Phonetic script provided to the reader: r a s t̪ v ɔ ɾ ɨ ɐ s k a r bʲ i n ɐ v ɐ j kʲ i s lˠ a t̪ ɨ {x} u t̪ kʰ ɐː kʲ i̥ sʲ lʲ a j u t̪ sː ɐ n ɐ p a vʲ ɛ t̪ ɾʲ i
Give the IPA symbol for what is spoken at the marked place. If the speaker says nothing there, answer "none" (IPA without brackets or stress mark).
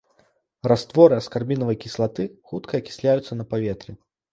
x